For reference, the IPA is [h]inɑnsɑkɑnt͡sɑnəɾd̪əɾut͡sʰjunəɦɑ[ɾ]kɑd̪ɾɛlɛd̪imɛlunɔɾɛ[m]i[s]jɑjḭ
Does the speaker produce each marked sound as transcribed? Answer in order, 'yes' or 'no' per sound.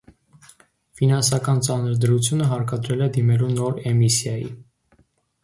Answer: no, yes, yes, yes

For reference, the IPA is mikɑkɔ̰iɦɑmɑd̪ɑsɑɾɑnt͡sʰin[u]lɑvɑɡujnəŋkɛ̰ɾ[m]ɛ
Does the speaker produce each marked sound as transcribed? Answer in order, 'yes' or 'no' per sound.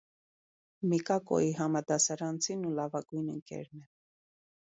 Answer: yes, no

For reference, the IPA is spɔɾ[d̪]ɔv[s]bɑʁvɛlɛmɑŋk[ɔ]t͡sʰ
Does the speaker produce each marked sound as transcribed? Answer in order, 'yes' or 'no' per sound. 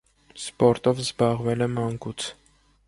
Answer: no, no, no

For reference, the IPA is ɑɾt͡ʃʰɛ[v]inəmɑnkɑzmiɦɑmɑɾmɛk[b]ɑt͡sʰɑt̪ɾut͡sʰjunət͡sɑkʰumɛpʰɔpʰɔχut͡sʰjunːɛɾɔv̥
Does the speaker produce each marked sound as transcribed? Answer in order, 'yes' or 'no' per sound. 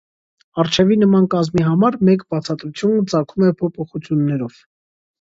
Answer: yes, yes

